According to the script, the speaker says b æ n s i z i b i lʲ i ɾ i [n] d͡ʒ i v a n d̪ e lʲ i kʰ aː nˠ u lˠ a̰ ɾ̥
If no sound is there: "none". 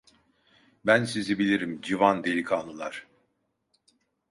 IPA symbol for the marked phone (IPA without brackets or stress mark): m